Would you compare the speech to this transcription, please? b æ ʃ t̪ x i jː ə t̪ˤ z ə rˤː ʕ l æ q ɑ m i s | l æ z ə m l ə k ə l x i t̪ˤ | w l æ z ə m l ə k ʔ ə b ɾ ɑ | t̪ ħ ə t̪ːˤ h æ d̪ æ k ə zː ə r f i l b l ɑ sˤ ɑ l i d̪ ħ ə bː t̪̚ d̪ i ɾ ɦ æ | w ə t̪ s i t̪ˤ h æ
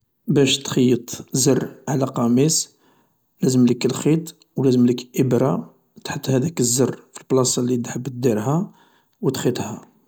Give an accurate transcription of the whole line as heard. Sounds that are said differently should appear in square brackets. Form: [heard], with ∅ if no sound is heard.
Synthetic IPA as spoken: b æ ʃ t̪ x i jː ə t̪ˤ z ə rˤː ʕ l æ q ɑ m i s | l æ z ə m l ə k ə l x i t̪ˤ | w l æ z ə m l ə k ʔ ə b ɾ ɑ | t̪ ħ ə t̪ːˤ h æ d̪ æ k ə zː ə r f i l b l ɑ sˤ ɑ l i d̪ ħ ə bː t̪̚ d̪ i ɾ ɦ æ | w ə t̪ [x] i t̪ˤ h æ